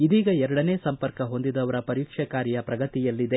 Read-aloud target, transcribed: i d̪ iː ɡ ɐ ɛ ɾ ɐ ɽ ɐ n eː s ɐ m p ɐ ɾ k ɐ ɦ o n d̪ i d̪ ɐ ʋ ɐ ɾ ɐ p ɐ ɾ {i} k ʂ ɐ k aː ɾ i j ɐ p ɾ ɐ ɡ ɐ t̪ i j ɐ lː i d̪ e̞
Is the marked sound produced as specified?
no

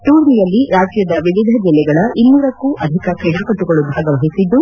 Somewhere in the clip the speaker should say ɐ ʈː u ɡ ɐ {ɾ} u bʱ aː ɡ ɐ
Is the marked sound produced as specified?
no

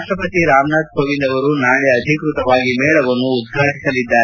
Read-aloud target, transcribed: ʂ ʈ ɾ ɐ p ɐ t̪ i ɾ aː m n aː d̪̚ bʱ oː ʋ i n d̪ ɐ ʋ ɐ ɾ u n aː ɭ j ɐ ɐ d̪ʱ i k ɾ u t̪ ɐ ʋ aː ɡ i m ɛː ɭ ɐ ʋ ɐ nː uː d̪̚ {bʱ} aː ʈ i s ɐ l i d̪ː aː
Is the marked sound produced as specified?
no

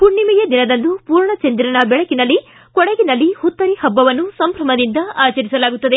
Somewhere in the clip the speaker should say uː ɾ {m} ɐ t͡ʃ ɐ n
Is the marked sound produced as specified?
no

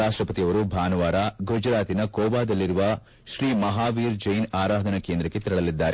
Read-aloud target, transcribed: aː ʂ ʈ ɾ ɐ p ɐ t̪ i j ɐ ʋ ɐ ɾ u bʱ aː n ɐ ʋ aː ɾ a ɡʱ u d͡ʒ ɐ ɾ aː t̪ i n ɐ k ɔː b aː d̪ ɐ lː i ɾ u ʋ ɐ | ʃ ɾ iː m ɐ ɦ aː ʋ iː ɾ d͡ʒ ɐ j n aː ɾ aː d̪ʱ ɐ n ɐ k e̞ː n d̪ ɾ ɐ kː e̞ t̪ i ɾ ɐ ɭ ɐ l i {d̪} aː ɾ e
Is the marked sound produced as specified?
no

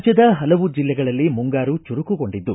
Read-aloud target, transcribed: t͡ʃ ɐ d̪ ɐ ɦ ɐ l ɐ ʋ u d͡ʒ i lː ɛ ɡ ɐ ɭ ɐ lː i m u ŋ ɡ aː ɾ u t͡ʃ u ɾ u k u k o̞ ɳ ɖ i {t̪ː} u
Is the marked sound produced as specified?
no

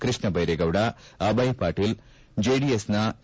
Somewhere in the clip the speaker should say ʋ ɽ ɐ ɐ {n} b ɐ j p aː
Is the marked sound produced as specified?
no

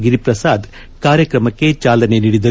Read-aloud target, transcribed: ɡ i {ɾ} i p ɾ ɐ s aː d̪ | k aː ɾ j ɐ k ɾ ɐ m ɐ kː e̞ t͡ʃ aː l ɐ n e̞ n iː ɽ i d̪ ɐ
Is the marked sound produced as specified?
yes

